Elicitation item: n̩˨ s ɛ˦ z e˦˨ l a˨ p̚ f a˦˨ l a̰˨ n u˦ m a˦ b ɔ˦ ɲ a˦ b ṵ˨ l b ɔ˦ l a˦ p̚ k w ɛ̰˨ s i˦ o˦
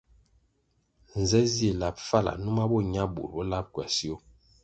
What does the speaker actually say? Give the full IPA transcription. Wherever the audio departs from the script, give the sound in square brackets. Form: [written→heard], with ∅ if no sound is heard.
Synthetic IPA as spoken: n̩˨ [s→z] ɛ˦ z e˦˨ l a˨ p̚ f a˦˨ l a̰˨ n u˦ m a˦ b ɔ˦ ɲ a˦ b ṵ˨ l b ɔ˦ l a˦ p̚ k w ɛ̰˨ s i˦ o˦